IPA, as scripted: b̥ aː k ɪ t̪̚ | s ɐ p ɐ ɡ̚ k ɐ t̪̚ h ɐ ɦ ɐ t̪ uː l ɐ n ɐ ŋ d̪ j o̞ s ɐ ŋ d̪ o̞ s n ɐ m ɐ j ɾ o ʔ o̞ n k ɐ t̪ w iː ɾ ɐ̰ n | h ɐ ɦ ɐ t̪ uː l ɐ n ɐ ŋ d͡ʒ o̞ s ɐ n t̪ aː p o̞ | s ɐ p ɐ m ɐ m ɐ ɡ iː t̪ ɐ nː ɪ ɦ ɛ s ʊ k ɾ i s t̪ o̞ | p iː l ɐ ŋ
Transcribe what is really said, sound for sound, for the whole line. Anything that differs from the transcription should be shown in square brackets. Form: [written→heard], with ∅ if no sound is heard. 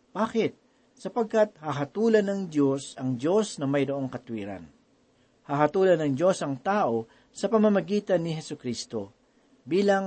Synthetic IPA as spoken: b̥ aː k ɪ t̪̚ | s ɐ p ɐ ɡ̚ k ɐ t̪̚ h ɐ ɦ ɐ t̪ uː l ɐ n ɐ ŋ d̪ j o̞ s ɐ ŋ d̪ o̞ s n ɐ m ɐ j ɾ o ʔ o̞ [n→ŋ] k ɐ t̪ w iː ɾ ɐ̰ n | h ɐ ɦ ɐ t̪ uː l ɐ n ɐ ŋ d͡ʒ o̞ s ɐ [n→ŋ] t̪ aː [p→ʔ] o̞ | s ɐ p ɐ m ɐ m ɐ ɡ iː t̪ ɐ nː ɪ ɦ ɛ s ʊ k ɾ i s t̪ o̞ | [p→b] iː l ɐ ŋ